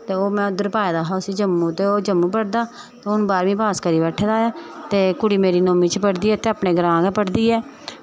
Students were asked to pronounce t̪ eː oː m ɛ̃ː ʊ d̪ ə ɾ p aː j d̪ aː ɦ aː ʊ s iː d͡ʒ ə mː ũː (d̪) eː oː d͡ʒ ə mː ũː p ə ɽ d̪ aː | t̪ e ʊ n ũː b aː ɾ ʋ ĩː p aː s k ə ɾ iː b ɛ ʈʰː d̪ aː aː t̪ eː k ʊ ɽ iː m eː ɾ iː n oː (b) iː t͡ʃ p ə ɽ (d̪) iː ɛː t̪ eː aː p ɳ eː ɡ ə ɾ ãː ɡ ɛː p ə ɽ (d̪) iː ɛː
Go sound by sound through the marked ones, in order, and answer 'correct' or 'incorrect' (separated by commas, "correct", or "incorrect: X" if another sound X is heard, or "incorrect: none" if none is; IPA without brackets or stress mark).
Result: incorrect: t̪, incorrect: m, correct, correct